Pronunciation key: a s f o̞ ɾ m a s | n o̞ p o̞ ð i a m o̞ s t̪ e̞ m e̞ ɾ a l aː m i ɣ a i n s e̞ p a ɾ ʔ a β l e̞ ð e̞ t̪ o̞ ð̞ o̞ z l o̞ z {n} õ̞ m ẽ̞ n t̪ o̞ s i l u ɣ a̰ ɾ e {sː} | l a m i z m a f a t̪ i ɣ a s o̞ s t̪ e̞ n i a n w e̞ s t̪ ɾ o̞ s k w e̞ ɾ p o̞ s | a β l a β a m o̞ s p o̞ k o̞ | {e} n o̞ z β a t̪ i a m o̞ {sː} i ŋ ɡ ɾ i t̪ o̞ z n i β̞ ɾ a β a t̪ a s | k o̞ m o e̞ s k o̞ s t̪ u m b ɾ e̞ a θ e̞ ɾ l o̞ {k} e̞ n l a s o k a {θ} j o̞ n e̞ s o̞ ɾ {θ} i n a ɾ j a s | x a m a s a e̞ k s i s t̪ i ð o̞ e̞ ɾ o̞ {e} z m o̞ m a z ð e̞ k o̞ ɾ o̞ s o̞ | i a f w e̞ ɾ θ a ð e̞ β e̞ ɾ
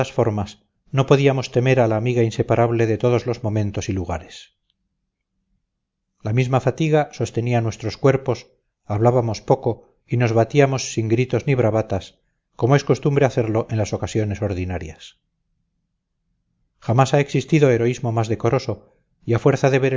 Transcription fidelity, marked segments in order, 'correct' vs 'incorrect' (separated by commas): incorrect, incorrect, incorrect, correct, incorrect, incorrect, incorrect, incorrect